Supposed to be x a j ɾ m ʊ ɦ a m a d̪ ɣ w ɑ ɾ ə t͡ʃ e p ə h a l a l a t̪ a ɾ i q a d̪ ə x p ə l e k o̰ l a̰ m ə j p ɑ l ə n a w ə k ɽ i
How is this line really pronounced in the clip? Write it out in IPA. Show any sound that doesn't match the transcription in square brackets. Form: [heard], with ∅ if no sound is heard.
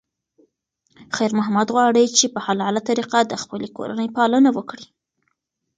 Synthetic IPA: x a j ɾ m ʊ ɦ a m a d̪ ɣ w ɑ [ɽ] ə t͡ʃ e p ə h a l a l a t̪ a ɾ i q a d̪ ə x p ə l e k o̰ [ɾ] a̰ [n] ə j p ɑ l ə n a w ə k ɽ i